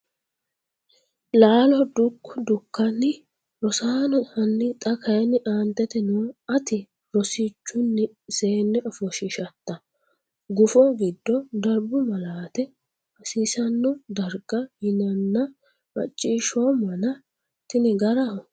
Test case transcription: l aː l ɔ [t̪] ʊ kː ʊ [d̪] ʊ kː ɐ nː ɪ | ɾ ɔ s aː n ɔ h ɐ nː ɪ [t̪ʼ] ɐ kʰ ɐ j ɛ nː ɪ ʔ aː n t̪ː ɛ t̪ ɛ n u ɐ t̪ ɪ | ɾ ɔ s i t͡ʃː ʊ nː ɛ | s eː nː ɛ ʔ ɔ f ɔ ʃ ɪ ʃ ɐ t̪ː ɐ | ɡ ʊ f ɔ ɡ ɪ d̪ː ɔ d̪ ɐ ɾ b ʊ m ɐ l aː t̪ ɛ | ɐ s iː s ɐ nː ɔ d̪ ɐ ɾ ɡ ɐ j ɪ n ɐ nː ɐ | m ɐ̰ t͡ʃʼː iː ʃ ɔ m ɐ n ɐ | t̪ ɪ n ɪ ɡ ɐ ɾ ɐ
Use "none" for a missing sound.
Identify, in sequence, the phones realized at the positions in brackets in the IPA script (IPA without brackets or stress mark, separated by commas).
d̪, d̪, t̪ʼ